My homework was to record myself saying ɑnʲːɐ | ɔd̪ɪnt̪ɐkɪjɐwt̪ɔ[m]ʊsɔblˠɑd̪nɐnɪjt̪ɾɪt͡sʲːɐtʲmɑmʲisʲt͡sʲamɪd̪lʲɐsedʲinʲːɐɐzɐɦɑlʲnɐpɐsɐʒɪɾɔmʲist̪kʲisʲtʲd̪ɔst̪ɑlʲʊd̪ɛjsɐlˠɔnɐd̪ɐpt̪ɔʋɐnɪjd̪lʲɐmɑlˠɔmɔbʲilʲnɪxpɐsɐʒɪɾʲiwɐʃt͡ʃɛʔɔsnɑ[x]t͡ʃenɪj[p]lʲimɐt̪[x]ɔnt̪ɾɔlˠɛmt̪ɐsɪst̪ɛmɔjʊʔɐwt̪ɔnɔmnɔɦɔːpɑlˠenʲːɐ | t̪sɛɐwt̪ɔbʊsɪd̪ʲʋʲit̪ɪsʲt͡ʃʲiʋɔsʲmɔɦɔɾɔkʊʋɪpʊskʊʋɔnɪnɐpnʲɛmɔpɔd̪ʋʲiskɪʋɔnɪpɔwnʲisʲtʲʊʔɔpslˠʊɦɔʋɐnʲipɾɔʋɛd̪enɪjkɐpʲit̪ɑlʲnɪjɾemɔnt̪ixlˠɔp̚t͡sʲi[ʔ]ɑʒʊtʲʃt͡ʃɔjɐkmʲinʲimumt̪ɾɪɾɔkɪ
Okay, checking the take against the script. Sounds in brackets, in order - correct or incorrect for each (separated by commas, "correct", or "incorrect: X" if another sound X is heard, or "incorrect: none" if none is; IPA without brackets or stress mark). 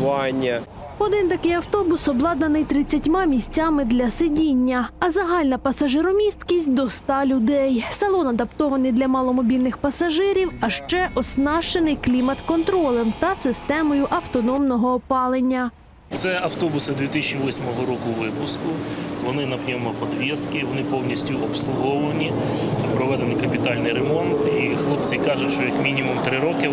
incorrect: b, incorrect: ʃ, incorrect: k, incorrect: k, incorrect: k